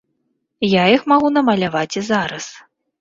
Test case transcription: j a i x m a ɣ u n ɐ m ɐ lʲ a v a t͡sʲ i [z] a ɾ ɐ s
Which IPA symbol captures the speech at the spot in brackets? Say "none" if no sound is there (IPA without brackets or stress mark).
z